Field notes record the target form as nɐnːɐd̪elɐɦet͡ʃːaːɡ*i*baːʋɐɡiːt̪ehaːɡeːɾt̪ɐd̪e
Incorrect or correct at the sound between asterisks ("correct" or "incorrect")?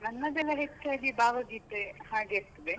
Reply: correct